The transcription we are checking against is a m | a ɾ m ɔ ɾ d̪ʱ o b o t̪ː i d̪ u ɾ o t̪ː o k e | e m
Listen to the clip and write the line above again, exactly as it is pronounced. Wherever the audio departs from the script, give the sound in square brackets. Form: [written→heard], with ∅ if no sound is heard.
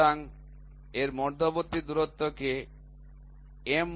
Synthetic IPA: a [m→ŋ] | [a→e] ɾ m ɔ ɾ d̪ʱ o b o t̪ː i d̪ u ɾ o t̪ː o k e | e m